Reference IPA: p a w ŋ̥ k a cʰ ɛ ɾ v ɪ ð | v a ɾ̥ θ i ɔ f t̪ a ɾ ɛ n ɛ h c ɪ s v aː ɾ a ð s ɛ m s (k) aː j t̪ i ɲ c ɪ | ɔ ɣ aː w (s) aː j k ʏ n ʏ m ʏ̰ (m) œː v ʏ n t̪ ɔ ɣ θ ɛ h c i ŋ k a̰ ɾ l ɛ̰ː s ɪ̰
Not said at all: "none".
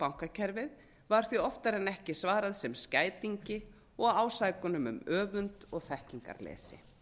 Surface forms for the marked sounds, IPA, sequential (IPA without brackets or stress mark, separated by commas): c, s, m